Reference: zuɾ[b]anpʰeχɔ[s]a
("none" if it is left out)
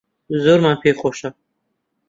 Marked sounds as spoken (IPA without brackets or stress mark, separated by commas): m, ʃ